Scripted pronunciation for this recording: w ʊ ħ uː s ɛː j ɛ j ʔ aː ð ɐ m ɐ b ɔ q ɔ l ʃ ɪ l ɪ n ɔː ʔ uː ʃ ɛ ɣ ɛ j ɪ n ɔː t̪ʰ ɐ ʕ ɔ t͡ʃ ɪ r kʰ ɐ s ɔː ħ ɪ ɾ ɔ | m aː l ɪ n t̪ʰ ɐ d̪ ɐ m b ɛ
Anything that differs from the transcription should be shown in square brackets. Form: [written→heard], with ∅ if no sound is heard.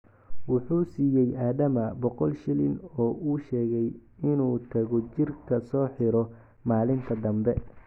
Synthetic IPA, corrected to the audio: w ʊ ħ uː s [ɛː→iː] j ɛ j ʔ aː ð ɐ m ɐ b ɔ q ɔ l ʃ ɪ l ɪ n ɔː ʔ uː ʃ [ɛ→ɛː] ɣ ɛ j ɪ n [ɔː→uː] t̪ʰ ɐ [ʕ→ɣ] ɔ t͡ʃ ɪ r kʰ ɐ s ɔː ħ ɪ ɾ ɔ | m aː l ɪ n t̪ʰ ɐ d̪ ɐ m b ɛ